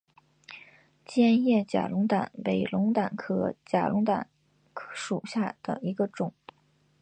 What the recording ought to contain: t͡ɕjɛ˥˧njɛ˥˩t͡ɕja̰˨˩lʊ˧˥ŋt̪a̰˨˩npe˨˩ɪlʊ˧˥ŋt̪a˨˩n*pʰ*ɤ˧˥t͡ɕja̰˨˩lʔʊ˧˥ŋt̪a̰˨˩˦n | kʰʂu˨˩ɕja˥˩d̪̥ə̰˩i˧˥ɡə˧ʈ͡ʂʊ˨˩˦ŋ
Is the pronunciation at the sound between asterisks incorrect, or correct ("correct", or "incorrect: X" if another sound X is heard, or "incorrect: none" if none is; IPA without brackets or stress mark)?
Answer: incorrect: kʰ